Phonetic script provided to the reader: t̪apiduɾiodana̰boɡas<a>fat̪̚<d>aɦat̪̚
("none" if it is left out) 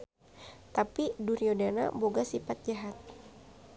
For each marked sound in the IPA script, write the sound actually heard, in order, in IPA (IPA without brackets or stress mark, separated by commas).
i, d͡ʒ